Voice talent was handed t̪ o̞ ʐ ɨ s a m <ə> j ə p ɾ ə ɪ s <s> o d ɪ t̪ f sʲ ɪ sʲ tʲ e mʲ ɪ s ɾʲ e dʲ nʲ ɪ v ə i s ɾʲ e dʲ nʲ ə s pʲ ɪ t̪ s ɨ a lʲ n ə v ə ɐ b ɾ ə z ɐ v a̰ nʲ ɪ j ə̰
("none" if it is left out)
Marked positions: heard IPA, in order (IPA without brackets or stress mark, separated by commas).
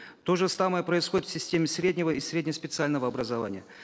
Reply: ə, x